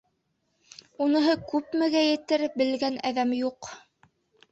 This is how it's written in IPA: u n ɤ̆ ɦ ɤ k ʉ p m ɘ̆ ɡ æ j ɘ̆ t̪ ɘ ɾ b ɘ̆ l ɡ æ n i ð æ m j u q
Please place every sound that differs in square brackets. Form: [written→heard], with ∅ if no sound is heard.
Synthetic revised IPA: u n ɤ̆ ɦ ɤ k ʉ p m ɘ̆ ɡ æ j ɘ̆ t̪ ɘ ɾ b ɘ̆ l ɡ æ n [i→æ] ð æ m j u q